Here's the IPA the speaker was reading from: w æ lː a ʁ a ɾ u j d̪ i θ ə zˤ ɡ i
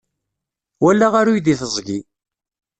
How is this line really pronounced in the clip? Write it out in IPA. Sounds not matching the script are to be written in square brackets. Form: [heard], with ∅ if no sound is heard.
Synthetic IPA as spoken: w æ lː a ʁ a ɾ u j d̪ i θ ə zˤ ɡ i

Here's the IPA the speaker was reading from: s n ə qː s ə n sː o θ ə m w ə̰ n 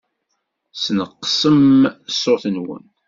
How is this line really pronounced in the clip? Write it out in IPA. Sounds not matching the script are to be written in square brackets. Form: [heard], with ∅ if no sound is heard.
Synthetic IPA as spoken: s n ə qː s ə [m] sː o θ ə [n] w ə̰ n

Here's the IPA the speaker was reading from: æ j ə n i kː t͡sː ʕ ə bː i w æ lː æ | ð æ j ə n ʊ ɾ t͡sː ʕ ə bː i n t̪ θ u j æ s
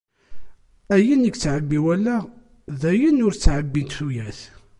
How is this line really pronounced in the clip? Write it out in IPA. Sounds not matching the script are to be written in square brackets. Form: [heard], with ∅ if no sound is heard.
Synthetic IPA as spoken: æ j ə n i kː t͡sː ʕ ə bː i w æ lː æ | ð æ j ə n ʊ ɾ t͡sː ʕ ə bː i n t̪ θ u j æ [θ]

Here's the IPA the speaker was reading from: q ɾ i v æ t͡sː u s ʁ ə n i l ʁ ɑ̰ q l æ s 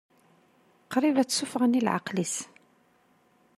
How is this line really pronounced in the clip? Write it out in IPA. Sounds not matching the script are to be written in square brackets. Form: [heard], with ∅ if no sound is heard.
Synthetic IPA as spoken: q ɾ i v æ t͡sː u [f] ʁ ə n i l [ʕ] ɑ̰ q l [i] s

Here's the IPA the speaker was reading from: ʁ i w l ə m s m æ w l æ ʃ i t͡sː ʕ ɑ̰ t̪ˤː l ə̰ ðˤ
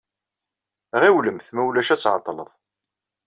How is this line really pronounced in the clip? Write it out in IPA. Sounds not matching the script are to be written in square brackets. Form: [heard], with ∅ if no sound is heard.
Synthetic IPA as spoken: ʁ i w l ə m [θ] m æ w l æ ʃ [æ] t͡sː ʕ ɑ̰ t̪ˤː l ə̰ ðˤ

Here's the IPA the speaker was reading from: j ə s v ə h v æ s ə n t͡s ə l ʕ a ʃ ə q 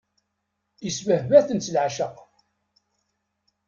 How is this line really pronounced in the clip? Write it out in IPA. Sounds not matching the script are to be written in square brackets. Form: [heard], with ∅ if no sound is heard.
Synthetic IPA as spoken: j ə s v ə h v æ [θ] ə n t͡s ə l ʕ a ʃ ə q

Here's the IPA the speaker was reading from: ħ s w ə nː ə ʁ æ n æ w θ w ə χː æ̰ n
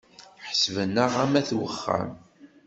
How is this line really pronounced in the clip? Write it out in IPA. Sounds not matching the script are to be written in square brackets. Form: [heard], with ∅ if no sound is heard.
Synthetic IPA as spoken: ħ s [v] ə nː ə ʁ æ [m] æ [∅] θ w ə χː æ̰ [m]

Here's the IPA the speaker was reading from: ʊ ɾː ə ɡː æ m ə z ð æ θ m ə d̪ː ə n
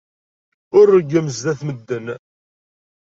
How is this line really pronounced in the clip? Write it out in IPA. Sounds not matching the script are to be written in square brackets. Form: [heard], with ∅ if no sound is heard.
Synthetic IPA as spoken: ʊ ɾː ə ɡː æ m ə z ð æ θ m ə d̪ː ə n

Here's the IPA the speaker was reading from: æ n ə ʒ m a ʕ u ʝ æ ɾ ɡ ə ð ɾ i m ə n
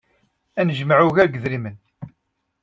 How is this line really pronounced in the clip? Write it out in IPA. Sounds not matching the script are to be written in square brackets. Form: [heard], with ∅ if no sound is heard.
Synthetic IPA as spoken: æ n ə ʒ m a ʕ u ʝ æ ɾ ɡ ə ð ɾ i m ə n

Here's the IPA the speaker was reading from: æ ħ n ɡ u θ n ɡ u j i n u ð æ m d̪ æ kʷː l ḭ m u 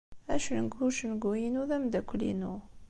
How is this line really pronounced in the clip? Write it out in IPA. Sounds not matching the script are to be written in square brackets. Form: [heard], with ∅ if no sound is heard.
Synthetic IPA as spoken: æ [ʃ] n ɡ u [ʃ] n ɡ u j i n u ð æ m d̪ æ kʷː l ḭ [n] u

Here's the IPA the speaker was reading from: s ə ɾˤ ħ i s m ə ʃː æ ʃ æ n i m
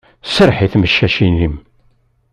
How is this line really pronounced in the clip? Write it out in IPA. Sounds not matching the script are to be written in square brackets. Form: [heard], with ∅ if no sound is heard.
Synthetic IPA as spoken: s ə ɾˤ ħ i [θ] m ə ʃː æ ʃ [i] n i m

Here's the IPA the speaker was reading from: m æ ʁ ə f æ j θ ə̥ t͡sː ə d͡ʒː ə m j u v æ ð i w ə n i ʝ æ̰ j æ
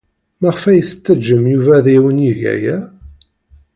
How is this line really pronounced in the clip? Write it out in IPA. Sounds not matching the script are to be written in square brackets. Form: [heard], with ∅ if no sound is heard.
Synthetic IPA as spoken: m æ ʁ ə f æ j θ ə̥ t͡sː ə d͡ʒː ə m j u v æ ð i w ə n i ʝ æ̰ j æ

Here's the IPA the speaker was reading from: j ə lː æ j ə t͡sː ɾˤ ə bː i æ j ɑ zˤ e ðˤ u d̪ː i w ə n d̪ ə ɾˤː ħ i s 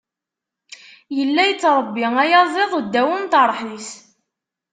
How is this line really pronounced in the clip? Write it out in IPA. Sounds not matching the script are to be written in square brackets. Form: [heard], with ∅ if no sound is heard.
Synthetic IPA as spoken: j ə lː æ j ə t͡sː ɾˤ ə bː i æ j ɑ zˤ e ðˤ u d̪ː [æ] w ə n [t̪] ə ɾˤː ħ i s

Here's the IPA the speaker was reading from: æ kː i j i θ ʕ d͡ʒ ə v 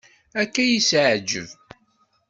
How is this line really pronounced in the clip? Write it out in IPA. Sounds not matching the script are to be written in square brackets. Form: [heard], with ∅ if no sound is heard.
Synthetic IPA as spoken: æ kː [æ] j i [s] ʕ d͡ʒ ə v

